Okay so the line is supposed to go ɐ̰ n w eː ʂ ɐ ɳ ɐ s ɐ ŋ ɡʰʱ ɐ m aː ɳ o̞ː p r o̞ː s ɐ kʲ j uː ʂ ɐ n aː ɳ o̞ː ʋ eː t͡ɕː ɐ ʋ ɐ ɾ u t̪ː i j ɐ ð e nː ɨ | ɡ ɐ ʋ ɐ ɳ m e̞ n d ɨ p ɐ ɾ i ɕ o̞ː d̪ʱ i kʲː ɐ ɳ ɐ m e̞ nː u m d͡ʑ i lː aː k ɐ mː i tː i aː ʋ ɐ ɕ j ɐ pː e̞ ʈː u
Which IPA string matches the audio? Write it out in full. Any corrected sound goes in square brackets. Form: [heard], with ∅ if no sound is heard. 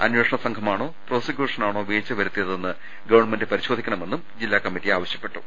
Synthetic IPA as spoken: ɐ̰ n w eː ʂ ɐ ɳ ɐ s ɐ ŋ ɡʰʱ ɐ m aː ɳ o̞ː p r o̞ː s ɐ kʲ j uː ʂ ɐ n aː ɳ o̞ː ʋ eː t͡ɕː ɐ ʋ ɐ ɾ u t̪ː i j ɐ ð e nː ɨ | ɡ ɐ ʋ ɐ ɳ m e̞ n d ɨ p ɐ ɾ i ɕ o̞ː d̪ʱ i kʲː ɐ ɳ ɐ m e̞ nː u m d͡ʑ i lː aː k ɐ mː i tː i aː ʋ ɐ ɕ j ɐ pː e̞ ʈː u

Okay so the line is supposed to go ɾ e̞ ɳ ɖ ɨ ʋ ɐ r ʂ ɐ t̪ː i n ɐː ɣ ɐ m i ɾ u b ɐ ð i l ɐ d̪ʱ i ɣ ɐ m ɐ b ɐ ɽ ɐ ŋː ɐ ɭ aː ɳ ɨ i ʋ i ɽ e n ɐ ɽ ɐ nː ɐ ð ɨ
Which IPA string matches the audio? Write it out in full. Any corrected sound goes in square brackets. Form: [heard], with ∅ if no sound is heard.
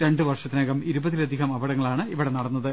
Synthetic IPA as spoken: ɾ e̞ ɳ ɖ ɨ ʋ ɐ r ʂ ɐ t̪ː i n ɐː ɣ ɐ m i ɾ u b ɐ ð i l ɐ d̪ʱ i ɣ ɐ m ɐ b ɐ ɽ ɐ ŋː ɐ ɭ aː ɳ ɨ i ʋ i ɽ e n ɐ ɽ ɐ nː ɐ ð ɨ

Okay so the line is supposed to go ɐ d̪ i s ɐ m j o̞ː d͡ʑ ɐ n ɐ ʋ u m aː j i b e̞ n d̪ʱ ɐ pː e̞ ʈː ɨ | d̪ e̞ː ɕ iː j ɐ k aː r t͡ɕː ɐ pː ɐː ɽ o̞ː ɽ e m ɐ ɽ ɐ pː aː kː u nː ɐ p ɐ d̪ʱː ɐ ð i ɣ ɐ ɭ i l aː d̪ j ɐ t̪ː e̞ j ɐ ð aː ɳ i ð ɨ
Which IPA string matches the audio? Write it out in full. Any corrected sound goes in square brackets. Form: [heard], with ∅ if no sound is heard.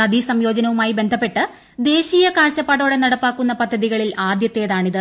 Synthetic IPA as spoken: ɐ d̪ i s ɐ m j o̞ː d͡ʑ ɐ n ɐ ʋ u m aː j i b e̞ n d̪ʱ ɐ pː e̞ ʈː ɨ | d̪ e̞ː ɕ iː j ɐ k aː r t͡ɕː ɐ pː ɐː ɽ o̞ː ɽ e [n] ɐ ɽ ɐ pː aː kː u nː ɐ p ɐ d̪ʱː ɐ ð i ɣ ɐ ɭ i l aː d̪ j ɐ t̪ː e̞ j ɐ ð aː ɳ i ð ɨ

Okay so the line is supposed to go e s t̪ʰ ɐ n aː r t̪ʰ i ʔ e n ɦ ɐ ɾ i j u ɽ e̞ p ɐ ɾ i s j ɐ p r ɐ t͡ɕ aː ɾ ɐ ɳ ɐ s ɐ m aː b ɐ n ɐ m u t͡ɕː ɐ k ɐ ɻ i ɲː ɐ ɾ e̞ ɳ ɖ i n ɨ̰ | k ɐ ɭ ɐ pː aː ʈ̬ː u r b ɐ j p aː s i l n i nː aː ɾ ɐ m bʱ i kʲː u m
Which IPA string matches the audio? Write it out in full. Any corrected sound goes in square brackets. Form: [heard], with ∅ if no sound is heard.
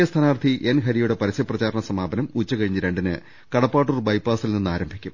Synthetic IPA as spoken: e s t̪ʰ ɐ n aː r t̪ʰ i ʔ e n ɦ ɐ ɾ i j u ɽ e̞ p ɐ ɾ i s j ɐ p r ɐ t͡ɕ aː ɾ ɐ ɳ ɐ s ɐ m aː b ɐ n ɐ m u t͡ɕː ɐ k ɐ ɻ i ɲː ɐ ɾ e̞ ɳ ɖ i n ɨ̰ | k ɐ [ɽ] ɐ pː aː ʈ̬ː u r b ɐ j p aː s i l n i nː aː ɾ ɐ m bʱ i kʲː u m

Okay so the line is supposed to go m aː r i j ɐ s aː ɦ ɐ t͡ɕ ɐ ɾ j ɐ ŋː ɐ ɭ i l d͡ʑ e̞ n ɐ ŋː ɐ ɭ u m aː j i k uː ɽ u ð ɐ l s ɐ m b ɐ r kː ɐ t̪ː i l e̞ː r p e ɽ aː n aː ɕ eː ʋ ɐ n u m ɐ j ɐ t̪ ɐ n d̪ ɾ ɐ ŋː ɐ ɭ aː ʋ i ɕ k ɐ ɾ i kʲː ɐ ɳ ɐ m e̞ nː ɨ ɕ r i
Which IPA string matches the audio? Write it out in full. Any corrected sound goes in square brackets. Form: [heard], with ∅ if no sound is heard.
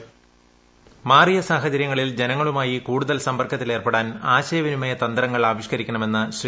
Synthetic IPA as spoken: m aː r i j ɐ s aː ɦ ɐ t͡ɕ ɐ ɾ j ɐ ŋː ɐ ɭ i l d͡ʑ e̞ n ɐ ŋː ɐ ɭ u m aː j i k uː ɽ u ð ɐ l s ɐ m b ɐ r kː ɐ t̪ː i l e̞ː r p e ɽ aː n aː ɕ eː ʋ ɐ n u m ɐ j ɐ t̪ ɐ n d̪ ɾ ɐ ŋː ɐ ɭ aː ʋ i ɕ k ɐ ɾ i kʲː ɐ ɳ ɐ m e̞ nː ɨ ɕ r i

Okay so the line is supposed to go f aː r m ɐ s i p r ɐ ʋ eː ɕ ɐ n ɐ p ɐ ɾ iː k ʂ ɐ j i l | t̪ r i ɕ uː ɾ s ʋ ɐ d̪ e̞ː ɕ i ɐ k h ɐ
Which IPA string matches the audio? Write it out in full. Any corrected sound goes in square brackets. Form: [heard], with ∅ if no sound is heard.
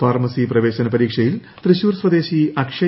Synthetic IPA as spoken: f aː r m ɐ s i p r ɐ ʋ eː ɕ ɐ n ɐ p ɐ ɾ iː k ʂ ɐ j i l | t̪ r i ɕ uː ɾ s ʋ ɐ d̪ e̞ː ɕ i ɐ k [ʂ] ɐ

